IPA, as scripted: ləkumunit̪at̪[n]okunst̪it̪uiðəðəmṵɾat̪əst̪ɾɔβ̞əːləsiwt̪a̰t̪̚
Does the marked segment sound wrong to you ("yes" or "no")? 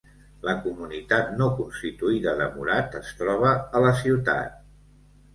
no